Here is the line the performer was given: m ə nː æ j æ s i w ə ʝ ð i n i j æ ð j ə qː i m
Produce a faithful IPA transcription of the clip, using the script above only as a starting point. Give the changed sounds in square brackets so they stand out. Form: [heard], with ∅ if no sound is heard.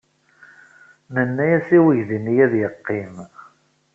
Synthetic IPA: m ə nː æ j æ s i w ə ʝ ð i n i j æ ð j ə qː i m